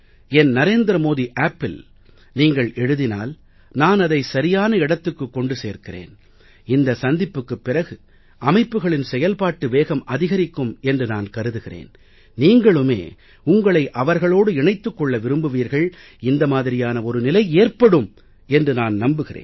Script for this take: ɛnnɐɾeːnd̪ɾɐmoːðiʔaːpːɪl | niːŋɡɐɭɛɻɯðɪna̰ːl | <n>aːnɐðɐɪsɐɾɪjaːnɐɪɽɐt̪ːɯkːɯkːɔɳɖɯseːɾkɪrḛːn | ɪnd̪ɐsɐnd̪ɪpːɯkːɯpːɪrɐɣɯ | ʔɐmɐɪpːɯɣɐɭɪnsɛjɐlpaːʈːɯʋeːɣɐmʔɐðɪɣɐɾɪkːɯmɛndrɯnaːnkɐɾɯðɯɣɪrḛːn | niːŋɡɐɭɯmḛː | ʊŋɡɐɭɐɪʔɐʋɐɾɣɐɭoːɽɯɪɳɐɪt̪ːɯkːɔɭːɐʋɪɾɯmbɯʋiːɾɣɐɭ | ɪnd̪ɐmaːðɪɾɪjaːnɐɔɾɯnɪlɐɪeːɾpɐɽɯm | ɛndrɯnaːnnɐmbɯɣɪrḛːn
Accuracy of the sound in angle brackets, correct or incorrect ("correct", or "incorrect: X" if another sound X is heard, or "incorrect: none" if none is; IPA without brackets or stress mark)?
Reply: correct